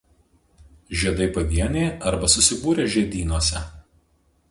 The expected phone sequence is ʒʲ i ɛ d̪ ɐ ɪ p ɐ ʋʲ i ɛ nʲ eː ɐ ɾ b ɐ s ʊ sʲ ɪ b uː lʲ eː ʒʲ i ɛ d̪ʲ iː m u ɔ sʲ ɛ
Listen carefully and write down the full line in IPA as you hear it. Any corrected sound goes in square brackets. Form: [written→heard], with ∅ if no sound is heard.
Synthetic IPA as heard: ʒʲ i ɛ d̪ ɐ ɪ p ɐ ʋʲ i ɛ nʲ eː ɐ ɾ b ɐ s ʊ sʲ ɪ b uː [lʲ→ɾʲ] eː ʒʲ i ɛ d̪ʲ iː [m→n] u ɔ sʲ ɛ